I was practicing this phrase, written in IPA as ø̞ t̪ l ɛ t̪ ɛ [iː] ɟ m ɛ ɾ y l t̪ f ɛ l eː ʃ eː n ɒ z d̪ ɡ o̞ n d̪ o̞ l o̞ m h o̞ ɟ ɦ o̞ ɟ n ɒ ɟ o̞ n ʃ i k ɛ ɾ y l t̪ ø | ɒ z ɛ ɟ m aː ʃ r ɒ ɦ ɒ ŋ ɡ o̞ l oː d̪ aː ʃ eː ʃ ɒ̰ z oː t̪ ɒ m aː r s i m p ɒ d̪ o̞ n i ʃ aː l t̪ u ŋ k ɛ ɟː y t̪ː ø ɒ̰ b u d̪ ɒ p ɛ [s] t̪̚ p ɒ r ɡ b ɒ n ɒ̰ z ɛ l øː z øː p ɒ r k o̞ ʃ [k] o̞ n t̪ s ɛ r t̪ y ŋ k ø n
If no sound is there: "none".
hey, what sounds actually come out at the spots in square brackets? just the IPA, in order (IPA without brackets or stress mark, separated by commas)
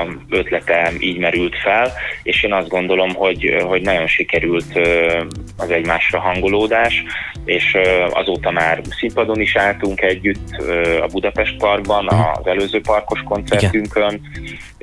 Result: iː, ʃ, k